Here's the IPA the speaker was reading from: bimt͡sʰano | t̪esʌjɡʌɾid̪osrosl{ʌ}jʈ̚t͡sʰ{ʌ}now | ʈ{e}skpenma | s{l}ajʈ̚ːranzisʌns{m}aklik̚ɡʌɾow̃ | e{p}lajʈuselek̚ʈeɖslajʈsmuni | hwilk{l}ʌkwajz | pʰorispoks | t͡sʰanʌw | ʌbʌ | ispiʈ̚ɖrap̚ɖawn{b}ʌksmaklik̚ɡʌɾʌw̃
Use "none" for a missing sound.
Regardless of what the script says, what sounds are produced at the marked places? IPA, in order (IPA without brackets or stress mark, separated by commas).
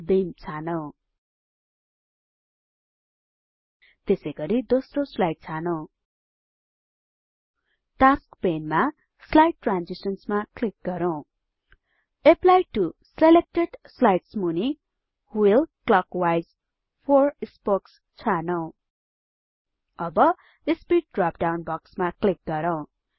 a, a, a, l, m, p, l, b